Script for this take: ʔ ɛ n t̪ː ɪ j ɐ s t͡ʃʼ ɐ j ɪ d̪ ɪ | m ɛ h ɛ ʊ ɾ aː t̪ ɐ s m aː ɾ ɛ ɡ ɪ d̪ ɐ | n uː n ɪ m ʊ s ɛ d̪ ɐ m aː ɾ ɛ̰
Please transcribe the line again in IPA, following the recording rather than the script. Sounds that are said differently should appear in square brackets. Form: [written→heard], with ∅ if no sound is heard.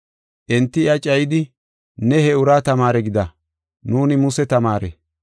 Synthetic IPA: ʔ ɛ n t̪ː ɪ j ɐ [s→∅] t͡ʃʼ ɐ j ɪ d̪ ɪ | [m→n] ɛ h ɛ ʊ ɾ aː t̪ ɐ [s→∅] m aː ɾ ɛ ɡ ɪ d̪ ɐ | n uː n ɪ m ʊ s ɛ [d̪→t̪] ɐ m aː ɾ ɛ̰